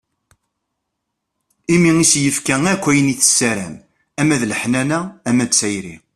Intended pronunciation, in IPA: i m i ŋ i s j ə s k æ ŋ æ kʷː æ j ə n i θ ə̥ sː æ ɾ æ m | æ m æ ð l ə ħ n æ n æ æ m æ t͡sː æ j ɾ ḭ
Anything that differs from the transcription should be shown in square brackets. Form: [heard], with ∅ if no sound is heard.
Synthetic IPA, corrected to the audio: i m i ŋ i s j ə [f] k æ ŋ æ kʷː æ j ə n i θ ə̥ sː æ ɾ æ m | æ m æ ð l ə ħ n æ n æ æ m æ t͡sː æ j ɾ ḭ